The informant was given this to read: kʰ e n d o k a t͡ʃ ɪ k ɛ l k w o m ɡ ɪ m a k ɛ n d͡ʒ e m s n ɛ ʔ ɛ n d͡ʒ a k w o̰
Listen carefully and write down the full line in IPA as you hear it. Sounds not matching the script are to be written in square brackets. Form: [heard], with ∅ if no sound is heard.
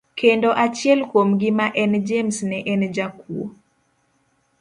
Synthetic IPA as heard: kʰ e n d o [ʔ] a t͡ʃ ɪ [∅] ɛ l k w o m ɡ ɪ m a [ʔ] ɛ n d͡ʒ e m s n ɛ ʔ ɛ n d͡ʒ a k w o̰